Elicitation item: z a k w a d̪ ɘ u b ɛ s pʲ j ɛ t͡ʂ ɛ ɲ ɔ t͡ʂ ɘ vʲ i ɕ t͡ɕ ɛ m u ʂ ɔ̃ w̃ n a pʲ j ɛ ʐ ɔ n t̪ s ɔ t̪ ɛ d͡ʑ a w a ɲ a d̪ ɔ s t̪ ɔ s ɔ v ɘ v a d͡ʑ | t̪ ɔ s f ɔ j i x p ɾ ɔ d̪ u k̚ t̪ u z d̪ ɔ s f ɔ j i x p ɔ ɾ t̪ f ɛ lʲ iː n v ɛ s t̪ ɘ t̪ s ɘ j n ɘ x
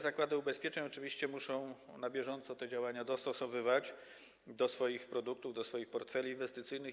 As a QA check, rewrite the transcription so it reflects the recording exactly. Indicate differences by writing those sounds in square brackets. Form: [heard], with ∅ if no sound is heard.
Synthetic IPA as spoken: z a k w a d̪ ɘ u b ɛ s pʲ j ɛ t͡ʂ ɛ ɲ ɔ t͡ʂ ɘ vʲ i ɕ t͡ɕ ɛ m u ʂ ɔ̃ w̃ n a [bʲ] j ɛ ʐ ɔ n t̪ s ɔ t̪ ɛ d͡ʑ a w a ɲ a d̪ ɔ s t̪ ɔ s ɔ v ɘ v a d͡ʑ | [d̪] ɔ s f ɔ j i x p ɾ ɔ d̪ u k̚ t̪ u [v] d̪ ɔ s f ɔ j i x p ɔ ɾ t̪ f ɛ lʲ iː n v ɛ s t̪ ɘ t̪ s ɘ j n ɘ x